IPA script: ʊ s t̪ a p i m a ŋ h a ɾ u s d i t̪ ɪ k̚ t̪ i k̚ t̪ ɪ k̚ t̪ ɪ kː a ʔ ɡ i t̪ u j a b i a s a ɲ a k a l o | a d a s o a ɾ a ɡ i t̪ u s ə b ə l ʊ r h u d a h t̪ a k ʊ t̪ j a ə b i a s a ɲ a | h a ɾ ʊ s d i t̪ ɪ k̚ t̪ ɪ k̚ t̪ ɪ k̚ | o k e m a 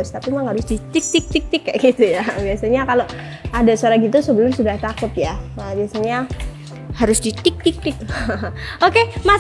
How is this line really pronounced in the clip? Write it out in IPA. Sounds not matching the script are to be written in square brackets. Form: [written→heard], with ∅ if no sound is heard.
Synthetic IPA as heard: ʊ s t̪ a p i m a ŋ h a ɾ [u→ʊ] s d i t̪ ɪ k̚ t̪ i k̚ t̪ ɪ k̚ t̪ ɪ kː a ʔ ɡ i t̪ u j a b i a s a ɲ a k a l o | a d a s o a ɾ a ɡ i t̪ u s ə b ə l ʊ r [h→s] u d a h t̪ a k ʊ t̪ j a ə b i a s a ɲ a | h a ɾ ʊ s d i t̪ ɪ k̚ t̪ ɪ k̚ t̪ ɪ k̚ | o k e m a